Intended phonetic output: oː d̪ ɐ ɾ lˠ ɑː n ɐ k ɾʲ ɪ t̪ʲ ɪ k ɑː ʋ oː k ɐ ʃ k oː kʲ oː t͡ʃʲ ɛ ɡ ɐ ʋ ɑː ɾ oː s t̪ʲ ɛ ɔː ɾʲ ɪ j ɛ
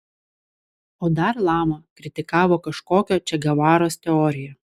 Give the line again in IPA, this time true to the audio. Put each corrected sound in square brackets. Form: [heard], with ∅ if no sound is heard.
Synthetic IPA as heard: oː d̪ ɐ ɾ lˠ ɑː [m] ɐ k ɾʲ ɪ t̪ʲ ɪ k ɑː ʋ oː k ɐ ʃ k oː kʲ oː t͡ʃʲ ɛ ɡ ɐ ʋ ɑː ɾ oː s t̪ʲ ɛ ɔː ɾʲ ɪ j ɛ